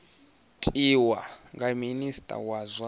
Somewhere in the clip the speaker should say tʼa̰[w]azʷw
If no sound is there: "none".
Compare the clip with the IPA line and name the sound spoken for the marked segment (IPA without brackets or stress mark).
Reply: w